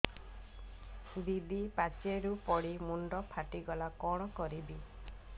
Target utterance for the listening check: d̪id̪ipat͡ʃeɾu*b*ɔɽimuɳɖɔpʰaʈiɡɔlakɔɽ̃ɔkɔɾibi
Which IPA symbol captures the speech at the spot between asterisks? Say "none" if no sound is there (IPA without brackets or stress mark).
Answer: p